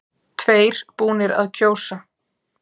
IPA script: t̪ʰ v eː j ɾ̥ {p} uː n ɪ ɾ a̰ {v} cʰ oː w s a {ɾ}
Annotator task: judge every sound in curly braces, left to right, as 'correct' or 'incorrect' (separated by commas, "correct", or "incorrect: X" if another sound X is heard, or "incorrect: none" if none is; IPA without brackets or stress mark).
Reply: correct, incorrect: ð, incorrect: none